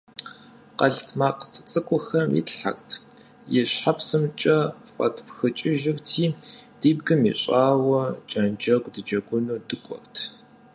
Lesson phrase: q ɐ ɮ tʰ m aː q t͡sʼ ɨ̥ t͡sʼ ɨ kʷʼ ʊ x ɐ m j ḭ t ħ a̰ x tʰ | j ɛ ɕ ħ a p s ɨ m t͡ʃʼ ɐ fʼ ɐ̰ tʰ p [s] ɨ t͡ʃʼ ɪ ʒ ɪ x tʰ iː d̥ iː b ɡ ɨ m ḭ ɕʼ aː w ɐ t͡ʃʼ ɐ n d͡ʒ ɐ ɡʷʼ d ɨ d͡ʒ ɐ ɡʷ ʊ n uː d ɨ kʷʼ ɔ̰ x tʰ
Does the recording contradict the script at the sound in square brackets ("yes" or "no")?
yes